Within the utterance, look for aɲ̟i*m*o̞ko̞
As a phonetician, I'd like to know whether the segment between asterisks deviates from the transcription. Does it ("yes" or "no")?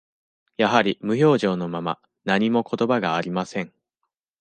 no